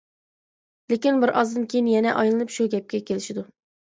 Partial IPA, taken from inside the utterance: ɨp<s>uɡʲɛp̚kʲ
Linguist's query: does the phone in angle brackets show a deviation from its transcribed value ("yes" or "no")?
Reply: yes